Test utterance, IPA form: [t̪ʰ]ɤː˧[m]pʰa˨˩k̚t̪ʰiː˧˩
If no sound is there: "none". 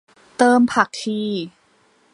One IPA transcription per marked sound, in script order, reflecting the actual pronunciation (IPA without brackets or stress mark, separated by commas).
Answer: t̪, m